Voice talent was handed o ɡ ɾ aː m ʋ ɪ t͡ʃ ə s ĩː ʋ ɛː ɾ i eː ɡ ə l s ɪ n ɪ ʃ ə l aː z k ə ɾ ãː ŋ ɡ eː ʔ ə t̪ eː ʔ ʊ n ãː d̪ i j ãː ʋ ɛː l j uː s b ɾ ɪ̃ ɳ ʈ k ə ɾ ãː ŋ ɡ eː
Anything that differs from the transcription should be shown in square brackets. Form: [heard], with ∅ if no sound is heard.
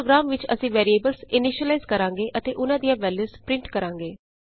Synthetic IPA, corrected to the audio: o ɡ ɾ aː m ʋ ɪ t͡ʃ ə s ĩː ʋ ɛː ɾ i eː [b] ə l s ɪ n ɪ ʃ ə l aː z k ə ɾ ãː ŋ ɡ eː ʔ ə t̪ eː ʔ ʊ n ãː d̪ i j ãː ʋ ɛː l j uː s [p] ɾ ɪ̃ ɳ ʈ k ə ɾ ãː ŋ ɡ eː